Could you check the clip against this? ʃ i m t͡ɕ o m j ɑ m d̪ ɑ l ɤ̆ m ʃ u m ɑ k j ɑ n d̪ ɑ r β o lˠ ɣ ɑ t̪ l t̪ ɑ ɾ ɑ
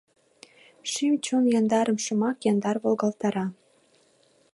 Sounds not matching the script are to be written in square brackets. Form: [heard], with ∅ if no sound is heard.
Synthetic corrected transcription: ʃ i m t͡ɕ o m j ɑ [n] d̪ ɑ [ɾ] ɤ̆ m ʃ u m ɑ k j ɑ n d̪ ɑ r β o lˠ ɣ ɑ [∅] l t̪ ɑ ɾ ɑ

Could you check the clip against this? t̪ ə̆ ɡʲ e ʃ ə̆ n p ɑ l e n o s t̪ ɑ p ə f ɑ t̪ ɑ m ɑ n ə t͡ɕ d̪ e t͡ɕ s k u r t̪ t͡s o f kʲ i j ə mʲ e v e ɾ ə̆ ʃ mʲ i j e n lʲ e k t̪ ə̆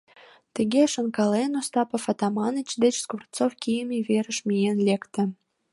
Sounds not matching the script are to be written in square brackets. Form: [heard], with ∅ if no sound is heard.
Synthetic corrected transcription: t̪ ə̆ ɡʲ e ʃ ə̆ n [k] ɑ l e n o s t̪ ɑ p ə f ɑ t̪ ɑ m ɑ n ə t͡ɕ d̪ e t͡ɕ s k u r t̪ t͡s o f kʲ i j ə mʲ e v e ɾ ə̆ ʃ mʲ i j e n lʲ e k t̪ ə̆

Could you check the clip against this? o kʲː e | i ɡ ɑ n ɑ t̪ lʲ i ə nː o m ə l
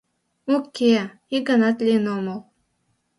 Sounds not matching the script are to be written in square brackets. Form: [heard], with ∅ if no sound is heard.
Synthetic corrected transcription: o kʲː e | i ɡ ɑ n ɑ t̪ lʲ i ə [n] o m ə l

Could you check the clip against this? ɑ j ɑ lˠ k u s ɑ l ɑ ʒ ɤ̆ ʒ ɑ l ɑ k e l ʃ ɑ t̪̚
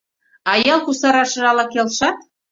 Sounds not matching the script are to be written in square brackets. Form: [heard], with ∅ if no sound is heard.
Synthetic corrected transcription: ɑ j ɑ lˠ k u s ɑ [ɾ] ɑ [ʃ] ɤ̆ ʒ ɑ l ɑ k e l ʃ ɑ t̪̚

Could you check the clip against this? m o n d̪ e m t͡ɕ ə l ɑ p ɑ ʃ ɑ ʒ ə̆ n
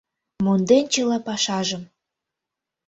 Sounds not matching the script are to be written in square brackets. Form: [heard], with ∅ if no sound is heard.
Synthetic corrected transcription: m o n d̪ e [n] t͡ɕ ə l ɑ p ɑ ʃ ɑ ʒ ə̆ [m]

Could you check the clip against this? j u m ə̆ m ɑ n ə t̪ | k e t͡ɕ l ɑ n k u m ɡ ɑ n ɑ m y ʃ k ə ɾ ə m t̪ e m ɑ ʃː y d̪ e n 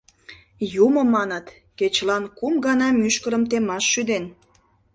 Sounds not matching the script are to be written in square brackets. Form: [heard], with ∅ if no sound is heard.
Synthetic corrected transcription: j u m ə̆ m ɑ n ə t̪ | k e t͡ɕ l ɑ n k u m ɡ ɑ n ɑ m y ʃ k ə ɾ ə m t̪ e m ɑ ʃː y d̪ e n

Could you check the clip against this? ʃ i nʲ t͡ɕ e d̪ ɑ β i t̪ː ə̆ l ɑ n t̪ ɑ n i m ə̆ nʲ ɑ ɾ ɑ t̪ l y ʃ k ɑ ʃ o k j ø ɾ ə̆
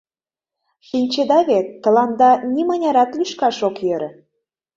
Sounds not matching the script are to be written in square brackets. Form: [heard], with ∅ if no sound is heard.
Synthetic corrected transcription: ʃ i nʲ t͡ɕ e d̪ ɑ β [e] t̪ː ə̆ l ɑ n [d̪] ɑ n i m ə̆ nʲ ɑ ɾ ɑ t̪ l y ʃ k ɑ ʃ o k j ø ɾ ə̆

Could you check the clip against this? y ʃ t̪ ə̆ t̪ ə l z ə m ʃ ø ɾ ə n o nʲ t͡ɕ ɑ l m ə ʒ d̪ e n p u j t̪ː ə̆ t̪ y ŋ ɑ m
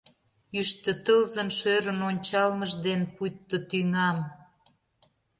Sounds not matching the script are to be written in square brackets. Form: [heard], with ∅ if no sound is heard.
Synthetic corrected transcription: y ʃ t̪ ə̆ t̪ ə l z ə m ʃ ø ɾ ə n o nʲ t͡ɕ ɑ l m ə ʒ d̪ e n p u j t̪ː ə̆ t̪ y ŋ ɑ m

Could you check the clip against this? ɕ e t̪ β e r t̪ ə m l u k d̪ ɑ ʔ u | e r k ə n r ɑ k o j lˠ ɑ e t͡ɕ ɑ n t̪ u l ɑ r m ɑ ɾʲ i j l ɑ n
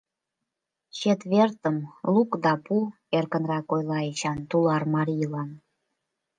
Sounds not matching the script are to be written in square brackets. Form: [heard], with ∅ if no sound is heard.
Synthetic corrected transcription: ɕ e t̪ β e r t̪ ə m l u k d̪ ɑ [p] u | e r k ə n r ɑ k o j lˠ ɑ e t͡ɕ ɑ n t̪ u l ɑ r m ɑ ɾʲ i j l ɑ n

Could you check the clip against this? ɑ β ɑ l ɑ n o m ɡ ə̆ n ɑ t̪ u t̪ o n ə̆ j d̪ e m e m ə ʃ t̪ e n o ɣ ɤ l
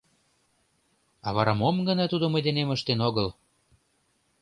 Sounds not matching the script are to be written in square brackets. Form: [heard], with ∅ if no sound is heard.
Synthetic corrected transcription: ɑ β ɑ [ɾ] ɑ [m] o m ɡ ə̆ n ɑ t̪ u [d̪] o [m] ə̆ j d̪ e [n] e m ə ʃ t̪ e n o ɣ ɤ l

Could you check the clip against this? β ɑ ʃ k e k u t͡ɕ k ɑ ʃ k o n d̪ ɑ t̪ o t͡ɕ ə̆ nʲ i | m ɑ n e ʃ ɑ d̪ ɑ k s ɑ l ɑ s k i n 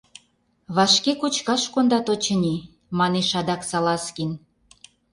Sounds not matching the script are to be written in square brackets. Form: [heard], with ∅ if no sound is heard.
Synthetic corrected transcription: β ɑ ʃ k e k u t͡ɕ k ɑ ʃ k o n d̪ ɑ t̪ o t͡ɕ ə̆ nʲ i | m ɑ n e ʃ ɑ d̪ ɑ k s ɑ l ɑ s k i n

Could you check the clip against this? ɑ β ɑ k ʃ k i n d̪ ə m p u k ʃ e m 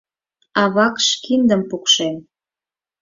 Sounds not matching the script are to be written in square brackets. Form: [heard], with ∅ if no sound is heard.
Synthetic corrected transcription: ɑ β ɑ k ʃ k i n d̪ ə m p u k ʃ e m

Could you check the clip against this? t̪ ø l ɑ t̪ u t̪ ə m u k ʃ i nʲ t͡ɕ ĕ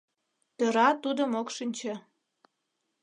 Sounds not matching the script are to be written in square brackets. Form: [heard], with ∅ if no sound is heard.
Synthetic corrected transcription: t̪ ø [ɾ] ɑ t̪ u [d̪] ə m [o] k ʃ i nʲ t͡ɕ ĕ

